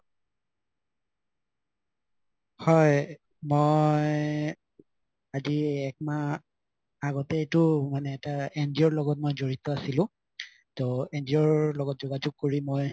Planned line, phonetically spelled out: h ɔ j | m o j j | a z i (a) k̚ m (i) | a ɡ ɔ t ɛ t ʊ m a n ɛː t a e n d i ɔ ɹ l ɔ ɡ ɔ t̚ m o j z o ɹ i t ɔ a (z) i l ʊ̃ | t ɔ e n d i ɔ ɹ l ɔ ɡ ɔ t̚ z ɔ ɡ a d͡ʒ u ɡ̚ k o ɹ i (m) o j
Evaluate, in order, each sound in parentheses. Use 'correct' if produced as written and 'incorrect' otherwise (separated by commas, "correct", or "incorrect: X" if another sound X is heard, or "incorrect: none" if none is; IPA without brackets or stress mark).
incorrect: ɛ, incorrect: a, incorrect: s, correct